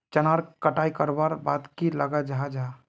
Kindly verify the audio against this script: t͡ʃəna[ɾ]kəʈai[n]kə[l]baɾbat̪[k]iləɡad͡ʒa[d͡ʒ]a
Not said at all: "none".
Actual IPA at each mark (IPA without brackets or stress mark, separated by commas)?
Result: ɾ, none, ɾ, k, d͡ʒ